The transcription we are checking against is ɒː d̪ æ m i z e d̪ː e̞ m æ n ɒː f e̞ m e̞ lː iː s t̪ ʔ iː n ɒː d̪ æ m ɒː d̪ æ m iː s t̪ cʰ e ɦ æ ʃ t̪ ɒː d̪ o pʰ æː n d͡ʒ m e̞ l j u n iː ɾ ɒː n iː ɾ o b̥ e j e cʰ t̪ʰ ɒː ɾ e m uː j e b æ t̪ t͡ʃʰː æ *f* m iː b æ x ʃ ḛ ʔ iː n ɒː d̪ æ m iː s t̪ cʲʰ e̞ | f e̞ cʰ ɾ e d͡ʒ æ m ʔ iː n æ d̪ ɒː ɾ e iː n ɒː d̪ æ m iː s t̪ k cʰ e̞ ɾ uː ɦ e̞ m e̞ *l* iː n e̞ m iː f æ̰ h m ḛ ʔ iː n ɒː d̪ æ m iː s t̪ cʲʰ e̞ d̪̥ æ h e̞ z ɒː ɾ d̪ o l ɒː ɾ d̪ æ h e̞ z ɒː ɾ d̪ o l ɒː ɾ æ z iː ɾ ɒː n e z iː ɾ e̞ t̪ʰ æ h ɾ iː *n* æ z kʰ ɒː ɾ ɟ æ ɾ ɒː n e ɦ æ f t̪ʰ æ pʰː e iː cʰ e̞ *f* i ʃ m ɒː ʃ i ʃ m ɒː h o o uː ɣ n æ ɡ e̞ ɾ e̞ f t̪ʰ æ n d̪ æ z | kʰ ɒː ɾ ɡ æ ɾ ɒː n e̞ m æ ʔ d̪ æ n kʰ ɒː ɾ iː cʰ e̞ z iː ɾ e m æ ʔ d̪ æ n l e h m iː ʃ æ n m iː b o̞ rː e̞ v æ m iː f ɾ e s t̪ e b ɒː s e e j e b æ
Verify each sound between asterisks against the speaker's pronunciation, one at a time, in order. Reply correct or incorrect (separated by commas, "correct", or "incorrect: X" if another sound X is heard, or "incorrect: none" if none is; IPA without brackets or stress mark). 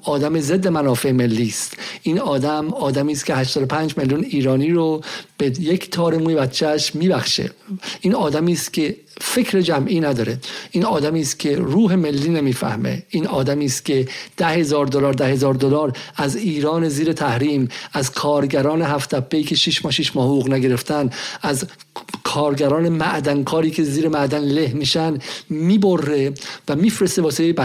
incorrect: ʃ, incorrect: lː, incorrect: m, incorrect: ʃ